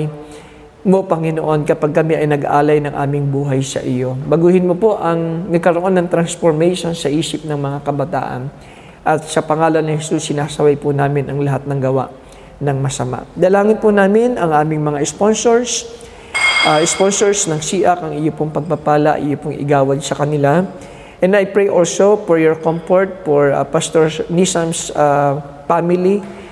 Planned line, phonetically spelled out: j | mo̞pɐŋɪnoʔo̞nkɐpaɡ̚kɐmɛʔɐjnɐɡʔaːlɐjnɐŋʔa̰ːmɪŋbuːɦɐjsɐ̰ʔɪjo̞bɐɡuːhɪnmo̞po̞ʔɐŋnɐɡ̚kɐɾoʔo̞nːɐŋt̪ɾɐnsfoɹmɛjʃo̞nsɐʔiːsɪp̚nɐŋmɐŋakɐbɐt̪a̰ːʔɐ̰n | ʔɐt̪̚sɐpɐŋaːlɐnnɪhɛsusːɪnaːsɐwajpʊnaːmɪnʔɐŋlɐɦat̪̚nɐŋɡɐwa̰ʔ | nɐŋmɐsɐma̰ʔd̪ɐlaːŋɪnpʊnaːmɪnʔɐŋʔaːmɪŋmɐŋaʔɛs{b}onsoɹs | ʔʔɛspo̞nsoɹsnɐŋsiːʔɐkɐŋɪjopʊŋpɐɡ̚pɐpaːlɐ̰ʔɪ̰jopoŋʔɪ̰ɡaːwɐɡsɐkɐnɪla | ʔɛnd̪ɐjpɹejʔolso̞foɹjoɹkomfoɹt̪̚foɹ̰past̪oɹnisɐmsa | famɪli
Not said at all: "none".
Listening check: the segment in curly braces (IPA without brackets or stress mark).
p